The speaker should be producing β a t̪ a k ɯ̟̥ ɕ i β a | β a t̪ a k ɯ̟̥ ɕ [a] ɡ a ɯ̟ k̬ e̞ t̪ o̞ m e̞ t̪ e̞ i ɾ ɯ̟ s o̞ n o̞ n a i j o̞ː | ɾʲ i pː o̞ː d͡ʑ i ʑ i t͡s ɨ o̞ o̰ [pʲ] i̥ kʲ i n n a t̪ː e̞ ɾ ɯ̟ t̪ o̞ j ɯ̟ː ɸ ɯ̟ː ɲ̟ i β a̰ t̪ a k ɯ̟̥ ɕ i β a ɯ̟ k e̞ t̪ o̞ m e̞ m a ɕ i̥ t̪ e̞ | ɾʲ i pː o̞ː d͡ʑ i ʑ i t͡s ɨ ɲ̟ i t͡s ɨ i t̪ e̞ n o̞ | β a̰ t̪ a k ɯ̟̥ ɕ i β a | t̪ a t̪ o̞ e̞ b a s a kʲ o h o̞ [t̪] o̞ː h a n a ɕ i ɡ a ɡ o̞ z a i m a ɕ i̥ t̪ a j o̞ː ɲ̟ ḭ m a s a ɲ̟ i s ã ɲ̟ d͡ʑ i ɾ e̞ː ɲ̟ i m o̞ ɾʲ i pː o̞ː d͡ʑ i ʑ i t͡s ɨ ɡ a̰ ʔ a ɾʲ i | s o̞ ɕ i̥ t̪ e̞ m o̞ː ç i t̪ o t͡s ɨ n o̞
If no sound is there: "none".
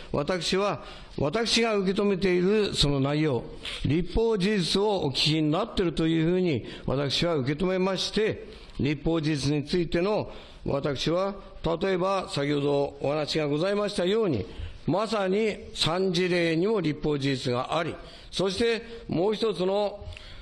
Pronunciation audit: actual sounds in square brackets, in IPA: i, kʲ, d̪

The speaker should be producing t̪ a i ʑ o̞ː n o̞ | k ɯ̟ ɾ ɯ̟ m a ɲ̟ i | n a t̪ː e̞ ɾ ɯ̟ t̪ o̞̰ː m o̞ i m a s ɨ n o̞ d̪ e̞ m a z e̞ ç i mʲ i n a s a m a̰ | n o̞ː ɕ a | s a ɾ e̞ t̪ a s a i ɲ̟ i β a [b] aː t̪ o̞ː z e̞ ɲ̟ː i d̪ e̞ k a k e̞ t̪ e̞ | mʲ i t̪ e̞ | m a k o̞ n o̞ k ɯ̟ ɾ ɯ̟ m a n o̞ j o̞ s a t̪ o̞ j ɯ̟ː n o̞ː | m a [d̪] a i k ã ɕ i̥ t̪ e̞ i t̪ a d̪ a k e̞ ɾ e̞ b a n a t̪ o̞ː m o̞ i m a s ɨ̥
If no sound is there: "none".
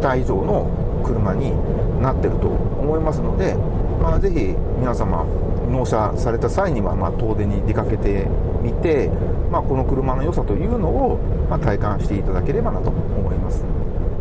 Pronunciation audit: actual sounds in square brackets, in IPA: m, t̪

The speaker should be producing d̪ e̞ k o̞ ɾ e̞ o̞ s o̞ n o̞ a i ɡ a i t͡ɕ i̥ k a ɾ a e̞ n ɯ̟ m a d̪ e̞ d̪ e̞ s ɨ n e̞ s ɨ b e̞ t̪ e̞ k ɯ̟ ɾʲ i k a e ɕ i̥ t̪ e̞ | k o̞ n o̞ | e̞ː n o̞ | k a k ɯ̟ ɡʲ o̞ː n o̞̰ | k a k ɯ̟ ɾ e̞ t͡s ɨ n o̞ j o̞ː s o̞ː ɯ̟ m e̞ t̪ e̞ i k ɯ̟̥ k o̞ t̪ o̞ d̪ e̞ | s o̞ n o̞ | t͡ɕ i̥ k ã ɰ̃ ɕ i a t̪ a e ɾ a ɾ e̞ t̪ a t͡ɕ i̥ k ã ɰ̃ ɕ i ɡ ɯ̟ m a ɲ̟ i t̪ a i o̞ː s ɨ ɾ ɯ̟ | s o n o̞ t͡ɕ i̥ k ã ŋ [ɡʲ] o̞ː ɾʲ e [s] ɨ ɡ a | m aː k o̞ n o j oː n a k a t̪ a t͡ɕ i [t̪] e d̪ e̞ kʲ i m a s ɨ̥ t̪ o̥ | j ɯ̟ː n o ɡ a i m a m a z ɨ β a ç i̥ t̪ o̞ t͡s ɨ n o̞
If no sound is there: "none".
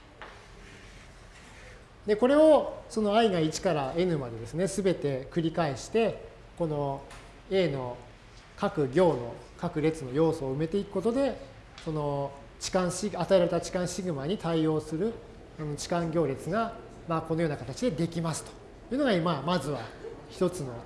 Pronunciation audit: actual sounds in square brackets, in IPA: ɡʲ, t͡s, d̪

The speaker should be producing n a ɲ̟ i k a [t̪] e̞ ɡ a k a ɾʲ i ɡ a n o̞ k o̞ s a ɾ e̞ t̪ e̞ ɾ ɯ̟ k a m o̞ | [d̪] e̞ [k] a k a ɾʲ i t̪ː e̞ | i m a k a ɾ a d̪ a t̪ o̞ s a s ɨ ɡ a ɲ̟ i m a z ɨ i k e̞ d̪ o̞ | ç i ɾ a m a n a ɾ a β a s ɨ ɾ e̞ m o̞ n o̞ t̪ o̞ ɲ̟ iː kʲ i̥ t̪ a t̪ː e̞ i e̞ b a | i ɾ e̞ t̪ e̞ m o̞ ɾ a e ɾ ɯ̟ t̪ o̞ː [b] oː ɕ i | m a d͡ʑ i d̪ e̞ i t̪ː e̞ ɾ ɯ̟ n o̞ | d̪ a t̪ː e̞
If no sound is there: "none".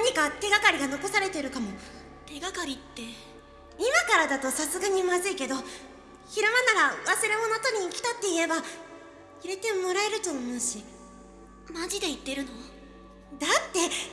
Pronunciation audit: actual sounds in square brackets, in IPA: t̪, t̪, ɡ, m

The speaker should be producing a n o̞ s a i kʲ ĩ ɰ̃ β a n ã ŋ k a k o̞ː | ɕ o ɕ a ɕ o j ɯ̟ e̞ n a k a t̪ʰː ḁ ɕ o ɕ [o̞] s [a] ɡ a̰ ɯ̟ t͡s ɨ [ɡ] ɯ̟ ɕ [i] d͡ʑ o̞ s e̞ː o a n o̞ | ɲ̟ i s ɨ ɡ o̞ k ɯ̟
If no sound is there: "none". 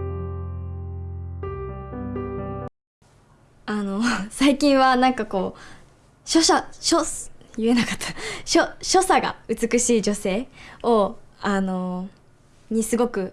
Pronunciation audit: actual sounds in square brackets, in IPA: o̞, a, k, iː

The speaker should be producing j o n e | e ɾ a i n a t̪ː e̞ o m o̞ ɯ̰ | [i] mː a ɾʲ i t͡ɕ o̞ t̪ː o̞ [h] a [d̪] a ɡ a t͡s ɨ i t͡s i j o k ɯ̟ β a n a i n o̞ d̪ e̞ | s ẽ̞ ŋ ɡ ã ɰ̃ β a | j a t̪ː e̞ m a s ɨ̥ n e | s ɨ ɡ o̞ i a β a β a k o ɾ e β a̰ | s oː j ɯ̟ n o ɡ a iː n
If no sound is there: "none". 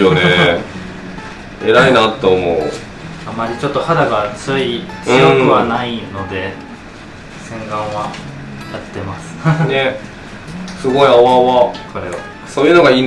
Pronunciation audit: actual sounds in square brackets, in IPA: a, h, d̪

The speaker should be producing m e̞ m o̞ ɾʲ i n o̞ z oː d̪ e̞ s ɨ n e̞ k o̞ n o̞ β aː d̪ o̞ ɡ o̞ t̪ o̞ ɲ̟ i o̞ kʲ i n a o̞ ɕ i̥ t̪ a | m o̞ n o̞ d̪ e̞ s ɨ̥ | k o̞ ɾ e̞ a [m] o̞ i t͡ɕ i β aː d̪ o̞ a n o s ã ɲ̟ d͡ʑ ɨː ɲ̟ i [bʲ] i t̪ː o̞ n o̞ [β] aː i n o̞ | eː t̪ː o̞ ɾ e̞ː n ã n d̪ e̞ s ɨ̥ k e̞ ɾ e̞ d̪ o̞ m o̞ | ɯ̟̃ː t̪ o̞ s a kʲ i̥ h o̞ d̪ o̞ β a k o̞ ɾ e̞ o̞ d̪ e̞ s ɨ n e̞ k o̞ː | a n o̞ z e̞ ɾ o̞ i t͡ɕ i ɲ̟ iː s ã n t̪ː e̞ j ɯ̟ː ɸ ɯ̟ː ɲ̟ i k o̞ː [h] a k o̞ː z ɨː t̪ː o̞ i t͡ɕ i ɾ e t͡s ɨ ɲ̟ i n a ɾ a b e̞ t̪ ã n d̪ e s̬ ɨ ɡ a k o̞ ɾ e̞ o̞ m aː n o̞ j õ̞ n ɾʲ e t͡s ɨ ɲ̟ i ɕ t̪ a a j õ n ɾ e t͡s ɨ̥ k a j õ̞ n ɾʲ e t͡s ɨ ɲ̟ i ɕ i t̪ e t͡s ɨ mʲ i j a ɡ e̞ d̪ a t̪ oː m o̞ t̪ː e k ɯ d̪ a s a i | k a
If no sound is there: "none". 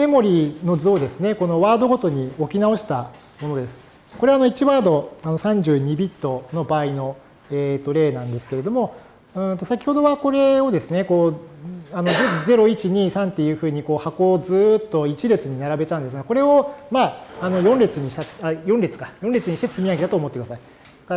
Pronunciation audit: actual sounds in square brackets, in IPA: n, bʲ, b, h

